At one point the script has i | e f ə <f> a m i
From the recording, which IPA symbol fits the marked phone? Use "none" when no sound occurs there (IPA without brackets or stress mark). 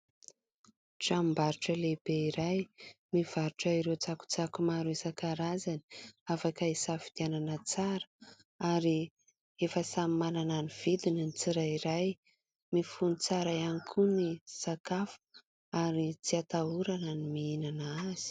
s